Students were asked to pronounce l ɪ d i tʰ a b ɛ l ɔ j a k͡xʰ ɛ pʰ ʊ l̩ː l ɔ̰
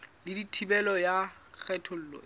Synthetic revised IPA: l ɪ d i tʰ i b ɛ l ɔ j a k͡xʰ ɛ tʰ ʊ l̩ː l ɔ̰